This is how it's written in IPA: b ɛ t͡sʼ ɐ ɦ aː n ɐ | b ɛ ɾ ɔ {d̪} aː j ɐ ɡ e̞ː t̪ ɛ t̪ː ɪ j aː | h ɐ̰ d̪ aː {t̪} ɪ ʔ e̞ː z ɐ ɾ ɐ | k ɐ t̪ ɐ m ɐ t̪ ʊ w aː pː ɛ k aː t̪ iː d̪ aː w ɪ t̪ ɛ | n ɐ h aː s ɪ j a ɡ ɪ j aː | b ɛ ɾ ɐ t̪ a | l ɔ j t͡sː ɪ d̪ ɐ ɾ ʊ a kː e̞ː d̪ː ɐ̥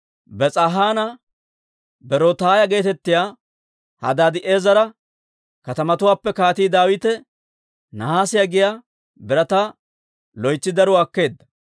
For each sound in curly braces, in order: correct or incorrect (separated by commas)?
incorrect, incorrect